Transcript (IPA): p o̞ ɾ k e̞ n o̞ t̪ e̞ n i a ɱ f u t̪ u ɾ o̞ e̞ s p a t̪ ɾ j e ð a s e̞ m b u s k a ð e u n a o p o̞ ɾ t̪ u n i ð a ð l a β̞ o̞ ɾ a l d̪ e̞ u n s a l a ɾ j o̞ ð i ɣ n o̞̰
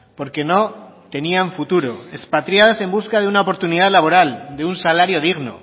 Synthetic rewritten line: p o̞ ɾ k e̞ n o̞ t̪ e̞ n i a ɱ f u t̪ u ɾ o̞ e̞ s p a t̪ ɾ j a ð a s e̞ m b u s k a ð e u n a o p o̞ ɾ t̪ u n i ð a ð l a β̞ o̞ ɾ a l d̪ e̞ u n s a l a ɾ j o̞ ð i ɣ n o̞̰